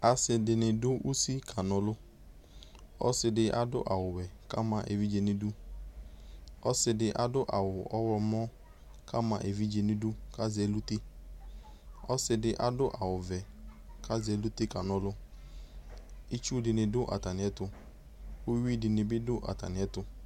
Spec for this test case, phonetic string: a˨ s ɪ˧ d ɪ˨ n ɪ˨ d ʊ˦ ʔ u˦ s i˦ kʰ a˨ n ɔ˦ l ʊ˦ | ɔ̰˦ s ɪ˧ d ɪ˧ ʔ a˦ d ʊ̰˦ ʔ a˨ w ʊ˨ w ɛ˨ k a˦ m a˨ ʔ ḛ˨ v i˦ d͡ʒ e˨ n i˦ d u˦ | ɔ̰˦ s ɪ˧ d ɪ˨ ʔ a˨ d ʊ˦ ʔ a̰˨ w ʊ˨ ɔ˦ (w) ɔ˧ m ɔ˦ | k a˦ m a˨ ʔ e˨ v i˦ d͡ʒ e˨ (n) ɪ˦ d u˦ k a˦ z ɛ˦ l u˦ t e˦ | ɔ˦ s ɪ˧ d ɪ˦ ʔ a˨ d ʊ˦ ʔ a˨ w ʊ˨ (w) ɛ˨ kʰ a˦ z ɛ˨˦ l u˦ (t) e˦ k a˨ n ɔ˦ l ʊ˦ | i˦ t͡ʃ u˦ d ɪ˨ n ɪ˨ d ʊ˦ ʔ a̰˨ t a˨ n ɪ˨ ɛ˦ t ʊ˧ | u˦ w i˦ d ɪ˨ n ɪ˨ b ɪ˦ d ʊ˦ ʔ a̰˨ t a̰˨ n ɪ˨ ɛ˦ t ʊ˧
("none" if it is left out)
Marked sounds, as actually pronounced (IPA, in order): w, n, v, t

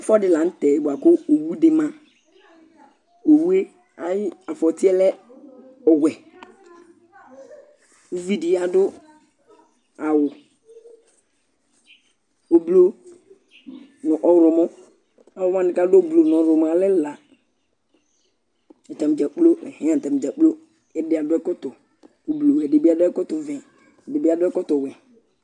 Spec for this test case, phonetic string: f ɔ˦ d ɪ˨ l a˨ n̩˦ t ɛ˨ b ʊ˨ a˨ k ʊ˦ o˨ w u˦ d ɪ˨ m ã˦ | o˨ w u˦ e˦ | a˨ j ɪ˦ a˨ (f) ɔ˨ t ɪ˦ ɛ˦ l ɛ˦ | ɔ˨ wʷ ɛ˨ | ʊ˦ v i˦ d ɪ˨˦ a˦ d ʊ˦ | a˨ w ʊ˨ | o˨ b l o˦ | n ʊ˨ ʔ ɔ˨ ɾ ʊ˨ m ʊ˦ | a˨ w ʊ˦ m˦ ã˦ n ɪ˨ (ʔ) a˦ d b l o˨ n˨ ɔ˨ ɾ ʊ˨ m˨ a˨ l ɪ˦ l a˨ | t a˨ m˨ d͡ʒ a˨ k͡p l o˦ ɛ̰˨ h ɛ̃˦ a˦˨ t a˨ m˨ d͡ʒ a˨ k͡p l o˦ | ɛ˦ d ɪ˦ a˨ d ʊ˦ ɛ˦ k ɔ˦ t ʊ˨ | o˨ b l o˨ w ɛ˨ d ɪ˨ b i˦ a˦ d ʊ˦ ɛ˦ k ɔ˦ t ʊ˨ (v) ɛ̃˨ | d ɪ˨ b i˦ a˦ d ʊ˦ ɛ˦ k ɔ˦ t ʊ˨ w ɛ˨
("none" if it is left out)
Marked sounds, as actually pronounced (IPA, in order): f, k, v

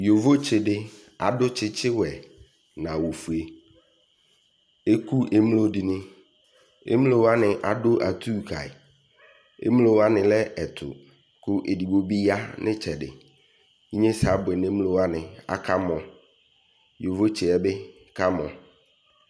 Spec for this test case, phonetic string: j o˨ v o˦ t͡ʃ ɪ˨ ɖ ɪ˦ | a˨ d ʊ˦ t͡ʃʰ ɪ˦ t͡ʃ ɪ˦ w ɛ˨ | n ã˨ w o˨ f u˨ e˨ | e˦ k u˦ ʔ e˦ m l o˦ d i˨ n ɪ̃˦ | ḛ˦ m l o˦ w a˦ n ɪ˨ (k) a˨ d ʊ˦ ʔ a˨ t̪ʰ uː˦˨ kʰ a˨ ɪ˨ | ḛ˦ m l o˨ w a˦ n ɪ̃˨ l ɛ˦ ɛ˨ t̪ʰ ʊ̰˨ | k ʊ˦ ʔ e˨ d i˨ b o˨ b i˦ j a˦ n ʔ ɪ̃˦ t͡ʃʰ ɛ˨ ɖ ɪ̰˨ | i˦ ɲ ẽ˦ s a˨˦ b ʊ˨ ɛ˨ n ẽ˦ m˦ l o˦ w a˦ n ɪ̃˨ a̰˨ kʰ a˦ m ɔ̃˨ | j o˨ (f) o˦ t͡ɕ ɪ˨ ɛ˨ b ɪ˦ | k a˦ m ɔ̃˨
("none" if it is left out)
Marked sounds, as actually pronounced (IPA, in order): ʔ, v

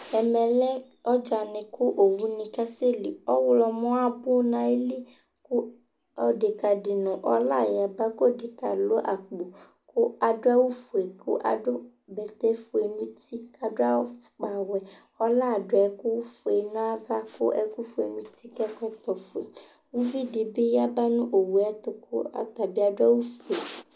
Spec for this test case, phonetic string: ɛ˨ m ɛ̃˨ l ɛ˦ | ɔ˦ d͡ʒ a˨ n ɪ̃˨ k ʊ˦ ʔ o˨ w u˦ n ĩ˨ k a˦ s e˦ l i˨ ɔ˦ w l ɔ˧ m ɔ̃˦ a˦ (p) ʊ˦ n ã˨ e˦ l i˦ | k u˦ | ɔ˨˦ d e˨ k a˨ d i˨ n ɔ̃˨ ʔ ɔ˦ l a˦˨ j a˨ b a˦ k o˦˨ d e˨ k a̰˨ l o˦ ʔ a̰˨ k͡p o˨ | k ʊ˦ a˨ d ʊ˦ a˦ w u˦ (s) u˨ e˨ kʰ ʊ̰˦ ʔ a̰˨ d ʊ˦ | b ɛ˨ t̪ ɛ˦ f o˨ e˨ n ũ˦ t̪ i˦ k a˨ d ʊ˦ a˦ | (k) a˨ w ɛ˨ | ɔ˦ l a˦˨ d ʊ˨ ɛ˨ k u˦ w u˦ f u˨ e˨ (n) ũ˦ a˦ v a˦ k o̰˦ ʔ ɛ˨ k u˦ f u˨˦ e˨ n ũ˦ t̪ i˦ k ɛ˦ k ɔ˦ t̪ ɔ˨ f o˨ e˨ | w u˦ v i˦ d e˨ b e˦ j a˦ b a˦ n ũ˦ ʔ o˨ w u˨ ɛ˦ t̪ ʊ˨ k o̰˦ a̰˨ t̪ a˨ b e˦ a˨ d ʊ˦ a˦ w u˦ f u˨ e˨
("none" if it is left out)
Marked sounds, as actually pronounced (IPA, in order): b, f, k͡p, n

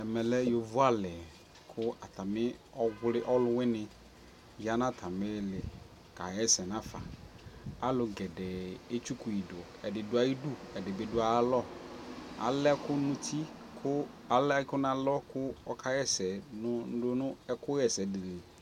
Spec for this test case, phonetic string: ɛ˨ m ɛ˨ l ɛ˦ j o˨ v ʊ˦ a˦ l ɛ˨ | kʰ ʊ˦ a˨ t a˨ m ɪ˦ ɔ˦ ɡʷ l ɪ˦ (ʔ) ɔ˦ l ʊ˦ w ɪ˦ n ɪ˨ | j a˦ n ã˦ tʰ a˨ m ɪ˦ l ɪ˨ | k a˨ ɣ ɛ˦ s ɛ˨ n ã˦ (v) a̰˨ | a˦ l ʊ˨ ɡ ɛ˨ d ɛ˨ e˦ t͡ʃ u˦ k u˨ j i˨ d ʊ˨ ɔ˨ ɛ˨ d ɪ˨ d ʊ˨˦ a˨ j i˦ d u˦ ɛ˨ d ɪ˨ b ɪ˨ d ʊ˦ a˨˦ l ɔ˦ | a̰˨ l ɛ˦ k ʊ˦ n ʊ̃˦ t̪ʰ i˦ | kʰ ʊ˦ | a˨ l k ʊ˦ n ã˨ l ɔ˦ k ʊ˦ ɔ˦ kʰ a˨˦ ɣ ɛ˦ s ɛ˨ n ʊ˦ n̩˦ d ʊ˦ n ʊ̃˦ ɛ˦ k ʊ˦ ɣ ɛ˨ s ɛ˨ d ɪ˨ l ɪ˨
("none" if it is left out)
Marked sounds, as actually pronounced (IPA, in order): ʔ, f

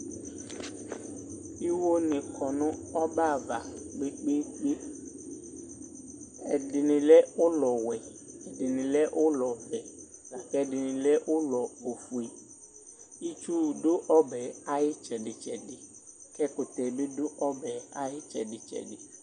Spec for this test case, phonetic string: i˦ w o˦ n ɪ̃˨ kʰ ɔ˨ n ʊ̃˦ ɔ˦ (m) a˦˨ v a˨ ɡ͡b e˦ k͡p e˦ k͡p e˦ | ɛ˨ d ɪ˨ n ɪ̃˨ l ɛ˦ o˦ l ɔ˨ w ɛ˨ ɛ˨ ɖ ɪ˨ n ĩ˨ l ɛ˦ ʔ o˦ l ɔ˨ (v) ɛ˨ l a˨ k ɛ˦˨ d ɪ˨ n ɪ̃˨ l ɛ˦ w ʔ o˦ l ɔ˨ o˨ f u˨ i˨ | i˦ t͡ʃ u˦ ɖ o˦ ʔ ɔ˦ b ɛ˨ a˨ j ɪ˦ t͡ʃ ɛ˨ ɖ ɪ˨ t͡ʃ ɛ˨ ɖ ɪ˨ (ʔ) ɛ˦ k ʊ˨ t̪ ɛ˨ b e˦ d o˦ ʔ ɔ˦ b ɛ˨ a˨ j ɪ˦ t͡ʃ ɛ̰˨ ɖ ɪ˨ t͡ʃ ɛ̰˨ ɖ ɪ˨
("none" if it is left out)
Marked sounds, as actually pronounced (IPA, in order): b, v, k

